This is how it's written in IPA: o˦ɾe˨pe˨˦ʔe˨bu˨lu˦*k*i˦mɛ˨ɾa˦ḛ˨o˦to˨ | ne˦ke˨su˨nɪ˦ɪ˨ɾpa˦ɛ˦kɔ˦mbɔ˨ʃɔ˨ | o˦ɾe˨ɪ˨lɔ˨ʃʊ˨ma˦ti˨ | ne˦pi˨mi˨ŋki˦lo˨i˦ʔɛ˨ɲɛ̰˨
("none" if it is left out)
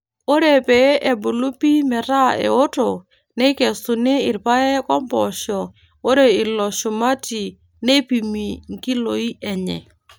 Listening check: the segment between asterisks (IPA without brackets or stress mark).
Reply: p